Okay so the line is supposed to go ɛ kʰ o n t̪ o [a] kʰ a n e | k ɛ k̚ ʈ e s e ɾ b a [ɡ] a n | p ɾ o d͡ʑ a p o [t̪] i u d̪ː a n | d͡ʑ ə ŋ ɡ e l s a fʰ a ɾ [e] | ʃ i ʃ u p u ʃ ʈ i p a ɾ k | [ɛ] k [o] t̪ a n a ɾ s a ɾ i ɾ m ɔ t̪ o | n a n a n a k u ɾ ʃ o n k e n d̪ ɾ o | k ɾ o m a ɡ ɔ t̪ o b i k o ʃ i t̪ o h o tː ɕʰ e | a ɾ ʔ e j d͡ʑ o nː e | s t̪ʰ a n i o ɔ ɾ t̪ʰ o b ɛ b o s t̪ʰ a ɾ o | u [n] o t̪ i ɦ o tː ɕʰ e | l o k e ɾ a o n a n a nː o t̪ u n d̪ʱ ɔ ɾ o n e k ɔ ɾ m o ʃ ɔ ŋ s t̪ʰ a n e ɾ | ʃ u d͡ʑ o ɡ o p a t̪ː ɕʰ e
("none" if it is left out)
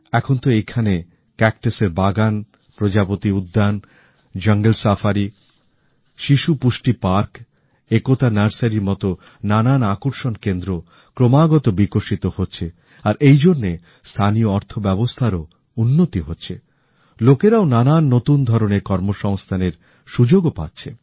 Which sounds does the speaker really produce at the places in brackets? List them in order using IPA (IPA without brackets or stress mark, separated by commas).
e, ɡ, t̪, i, e, o, nː